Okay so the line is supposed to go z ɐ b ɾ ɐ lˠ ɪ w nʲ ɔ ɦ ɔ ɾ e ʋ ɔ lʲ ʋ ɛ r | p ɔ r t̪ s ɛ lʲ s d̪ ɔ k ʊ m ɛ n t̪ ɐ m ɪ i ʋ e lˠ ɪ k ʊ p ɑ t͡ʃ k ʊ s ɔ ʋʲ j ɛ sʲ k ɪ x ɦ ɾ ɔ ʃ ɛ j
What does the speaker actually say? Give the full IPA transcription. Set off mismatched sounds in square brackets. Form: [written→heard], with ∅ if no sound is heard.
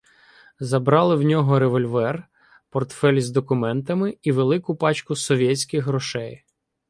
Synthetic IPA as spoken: z ɐ b ɾ [ɐ→ɑ] lˠ ɪ w nʲ ɔ ɦ ɔ ɾ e ʋ ɔ lʲ ʋ ɛ r | p ɔ r t̪ [s→f] ɛ lʲ [s→z] d̪ ɔ k ʊ m ɛ n t̪ ɐ m ɪ i ʋ e lˠ ɪ k ʊ p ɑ t͡ʃ k ʊ s ɔ ʋʲ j ɛ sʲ k ɪ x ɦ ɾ ɔ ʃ ɛ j